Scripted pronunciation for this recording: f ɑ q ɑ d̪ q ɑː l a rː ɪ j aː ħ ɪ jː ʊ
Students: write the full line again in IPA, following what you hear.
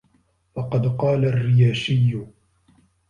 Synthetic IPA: f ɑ q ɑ d̪ q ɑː l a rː ɪ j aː ʃ ɪ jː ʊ